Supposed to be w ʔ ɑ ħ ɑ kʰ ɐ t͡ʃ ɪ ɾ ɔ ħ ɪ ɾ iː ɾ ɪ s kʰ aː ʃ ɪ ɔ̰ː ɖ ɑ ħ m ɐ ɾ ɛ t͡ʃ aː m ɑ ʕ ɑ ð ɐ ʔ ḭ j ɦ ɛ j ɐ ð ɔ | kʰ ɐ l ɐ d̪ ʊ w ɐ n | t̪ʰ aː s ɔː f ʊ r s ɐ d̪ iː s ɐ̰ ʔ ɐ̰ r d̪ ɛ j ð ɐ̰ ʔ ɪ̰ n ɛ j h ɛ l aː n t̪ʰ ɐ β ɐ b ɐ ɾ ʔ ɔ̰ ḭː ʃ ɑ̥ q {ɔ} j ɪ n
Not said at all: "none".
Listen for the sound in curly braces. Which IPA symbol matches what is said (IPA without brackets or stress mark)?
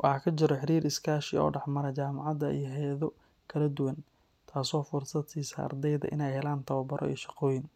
ɔː